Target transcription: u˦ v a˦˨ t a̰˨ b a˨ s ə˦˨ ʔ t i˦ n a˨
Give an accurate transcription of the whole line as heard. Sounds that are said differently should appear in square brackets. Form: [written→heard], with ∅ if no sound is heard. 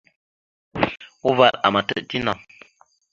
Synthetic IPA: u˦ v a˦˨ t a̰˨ [b→m] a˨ [s→t] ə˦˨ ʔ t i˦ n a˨